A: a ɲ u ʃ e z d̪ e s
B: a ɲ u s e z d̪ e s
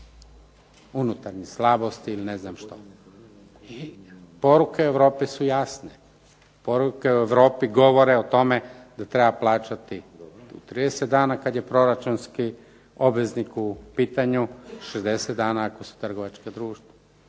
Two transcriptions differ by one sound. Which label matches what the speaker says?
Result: A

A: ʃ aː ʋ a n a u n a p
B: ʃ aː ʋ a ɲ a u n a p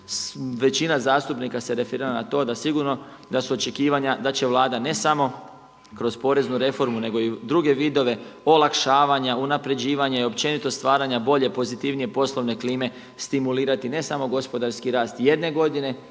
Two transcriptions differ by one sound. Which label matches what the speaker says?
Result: B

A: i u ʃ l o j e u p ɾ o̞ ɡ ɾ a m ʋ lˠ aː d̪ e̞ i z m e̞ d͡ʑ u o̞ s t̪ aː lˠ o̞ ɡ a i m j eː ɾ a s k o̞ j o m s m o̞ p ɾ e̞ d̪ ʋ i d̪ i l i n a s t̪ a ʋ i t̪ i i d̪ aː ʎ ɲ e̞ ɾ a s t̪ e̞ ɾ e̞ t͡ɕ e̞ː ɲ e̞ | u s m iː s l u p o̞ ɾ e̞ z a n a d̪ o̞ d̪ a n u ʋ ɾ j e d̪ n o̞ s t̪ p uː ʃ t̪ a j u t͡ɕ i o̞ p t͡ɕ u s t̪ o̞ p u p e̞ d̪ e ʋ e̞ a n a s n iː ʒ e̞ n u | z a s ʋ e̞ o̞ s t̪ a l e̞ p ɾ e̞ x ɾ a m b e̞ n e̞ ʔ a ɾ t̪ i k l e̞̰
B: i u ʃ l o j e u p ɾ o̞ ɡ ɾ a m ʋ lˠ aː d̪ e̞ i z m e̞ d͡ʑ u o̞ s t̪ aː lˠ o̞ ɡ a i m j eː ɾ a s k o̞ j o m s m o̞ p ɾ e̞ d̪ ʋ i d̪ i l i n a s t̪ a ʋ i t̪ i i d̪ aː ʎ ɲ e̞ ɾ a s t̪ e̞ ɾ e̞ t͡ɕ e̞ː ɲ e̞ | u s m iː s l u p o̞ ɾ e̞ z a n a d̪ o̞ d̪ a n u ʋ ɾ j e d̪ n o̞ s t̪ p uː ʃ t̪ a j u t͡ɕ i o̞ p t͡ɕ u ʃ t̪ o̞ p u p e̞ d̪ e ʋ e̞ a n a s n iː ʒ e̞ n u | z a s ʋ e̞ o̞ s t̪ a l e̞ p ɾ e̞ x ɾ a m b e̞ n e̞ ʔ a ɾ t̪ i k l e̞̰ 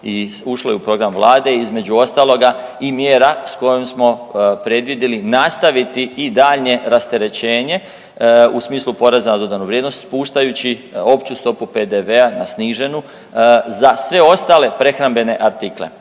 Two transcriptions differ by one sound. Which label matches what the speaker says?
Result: A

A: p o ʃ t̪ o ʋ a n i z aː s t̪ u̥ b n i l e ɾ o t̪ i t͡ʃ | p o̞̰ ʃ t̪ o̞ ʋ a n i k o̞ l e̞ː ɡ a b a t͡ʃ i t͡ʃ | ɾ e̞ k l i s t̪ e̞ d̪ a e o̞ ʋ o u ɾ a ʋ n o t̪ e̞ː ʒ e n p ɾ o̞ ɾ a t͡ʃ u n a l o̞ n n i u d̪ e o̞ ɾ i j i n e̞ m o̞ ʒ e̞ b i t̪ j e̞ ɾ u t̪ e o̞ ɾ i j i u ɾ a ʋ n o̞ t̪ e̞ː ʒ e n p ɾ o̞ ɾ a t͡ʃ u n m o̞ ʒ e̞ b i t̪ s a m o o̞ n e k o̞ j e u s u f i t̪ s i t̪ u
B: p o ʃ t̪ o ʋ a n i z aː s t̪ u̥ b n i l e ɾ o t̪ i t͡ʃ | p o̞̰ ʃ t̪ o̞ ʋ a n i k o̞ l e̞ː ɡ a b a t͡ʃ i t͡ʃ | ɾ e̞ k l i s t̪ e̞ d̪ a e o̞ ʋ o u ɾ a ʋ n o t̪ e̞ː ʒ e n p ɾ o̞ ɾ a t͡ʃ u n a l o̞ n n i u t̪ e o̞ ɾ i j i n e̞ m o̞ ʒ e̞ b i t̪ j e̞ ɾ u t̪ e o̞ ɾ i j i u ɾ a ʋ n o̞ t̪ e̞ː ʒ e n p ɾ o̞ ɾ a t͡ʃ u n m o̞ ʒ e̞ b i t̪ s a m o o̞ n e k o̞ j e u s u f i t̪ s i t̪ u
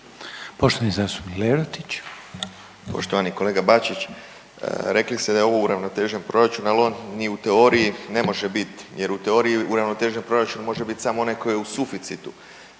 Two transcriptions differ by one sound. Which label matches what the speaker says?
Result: B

